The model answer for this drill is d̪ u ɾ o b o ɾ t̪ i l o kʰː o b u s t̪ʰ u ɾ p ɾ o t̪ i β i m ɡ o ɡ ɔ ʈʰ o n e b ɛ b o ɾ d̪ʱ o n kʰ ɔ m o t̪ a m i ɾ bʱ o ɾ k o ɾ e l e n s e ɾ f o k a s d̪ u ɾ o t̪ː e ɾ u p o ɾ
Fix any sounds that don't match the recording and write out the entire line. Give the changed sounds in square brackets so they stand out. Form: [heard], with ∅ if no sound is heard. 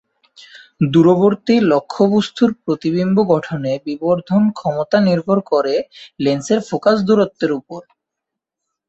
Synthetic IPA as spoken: d̪ u ɾ o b o ɾ t̪ i l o kʰː o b u s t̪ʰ u ɾ p ɾ o t̪ i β i m [b] o ɡ ɔ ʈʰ o n e b [i] b o ɾ d̪ʱ o n kʰ ɔ m o t̪ a [n] i ɾ bʱ o ɾ k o ɾ e l e n s e ɾ f o k a s d̪ u ɾ o t̪ː e ɾ u p o ɾ

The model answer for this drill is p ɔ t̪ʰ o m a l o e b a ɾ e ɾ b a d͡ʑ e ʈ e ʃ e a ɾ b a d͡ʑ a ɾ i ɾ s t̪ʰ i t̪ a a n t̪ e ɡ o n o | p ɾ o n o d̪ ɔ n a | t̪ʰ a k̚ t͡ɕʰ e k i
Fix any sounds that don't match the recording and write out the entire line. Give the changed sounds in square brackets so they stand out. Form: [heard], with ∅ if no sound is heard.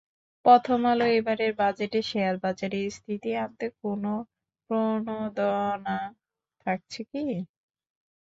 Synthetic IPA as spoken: p ɔ t̪ʰ o m a l o e b a ɾ e ɾ b a d͡ʑ e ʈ e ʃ e a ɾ b a d͡ʑ a ɾ i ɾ s t̪ʰ i t̪ [i] a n t̪ e [k] o n o | p ɾ o n o d̪ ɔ n a | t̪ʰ a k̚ t͡ɕʰ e k i

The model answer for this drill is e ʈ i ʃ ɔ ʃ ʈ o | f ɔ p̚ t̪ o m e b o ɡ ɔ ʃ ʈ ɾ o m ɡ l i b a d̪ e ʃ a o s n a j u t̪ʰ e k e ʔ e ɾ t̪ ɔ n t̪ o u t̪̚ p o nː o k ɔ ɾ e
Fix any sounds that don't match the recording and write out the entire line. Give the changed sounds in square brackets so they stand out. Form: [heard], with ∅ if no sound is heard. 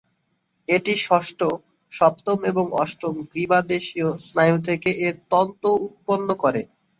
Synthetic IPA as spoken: e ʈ i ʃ ɔ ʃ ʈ o | [ʃ] ɔ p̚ t̪ o m e b o [ŋ] ɔ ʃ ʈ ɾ o m ɡ [ɾ] i b a d̪ e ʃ [i] o s n a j u t̪ʰ e k e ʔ e ɾ t̪ ɔ n t̪ o u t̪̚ p o nː o k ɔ ɾ e

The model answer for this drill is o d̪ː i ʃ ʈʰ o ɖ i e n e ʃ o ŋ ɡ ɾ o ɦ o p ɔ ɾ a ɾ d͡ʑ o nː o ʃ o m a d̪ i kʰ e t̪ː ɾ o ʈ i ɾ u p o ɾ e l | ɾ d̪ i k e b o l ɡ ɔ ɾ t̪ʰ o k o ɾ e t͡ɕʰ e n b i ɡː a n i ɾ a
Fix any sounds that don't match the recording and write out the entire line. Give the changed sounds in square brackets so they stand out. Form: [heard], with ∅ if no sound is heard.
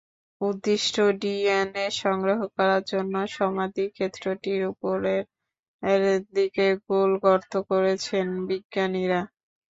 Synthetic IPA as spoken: [u] d̪ː i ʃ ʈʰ o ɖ i e n e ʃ [ɔ] ŋ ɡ ɾ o ɦ o [k] ɔ ɾ a ɾ d͡ʑ o nː o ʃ [ɔ] m a d̪ i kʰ e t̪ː ɾ o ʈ i ɾ u p o ɾ e [ɾ] | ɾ d̪ i k e [ɡ] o l ɡ ɔ ɾ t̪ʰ o k o ɾ e t͡ɕʰ e n b i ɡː a n i ɾ a

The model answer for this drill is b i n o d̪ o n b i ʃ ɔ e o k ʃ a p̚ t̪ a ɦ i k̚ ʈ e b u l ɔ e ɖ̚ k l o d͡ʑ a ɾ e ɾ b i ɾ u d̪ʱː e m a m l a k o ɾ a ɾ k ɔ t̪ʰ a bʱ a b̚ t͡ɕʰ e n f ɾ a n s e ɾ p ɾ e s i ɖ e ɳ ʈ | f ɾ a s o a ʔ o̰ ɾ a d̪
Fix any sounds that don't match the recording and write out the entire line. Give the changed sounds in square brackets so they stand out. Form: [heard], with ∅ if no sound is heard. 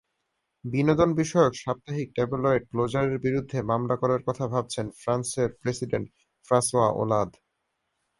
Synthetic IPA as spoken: b i n o d̪ o n b i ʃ ɔ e o k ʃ a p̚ t̪ a ɦ i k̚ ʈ e b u l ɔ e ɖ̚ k l o d͡ʑ a ɾ e ɾ b i ɾ u d̪ʱː e m a m l a k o ɾ a ɾ k ɔ t̪ʰ a bʱ a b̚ t͡ɕʰ e n f ɾ a n s e ɾ p ɾ e s i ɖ e ɳ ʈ | f ɾ a s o a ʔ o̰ [l] a d̪

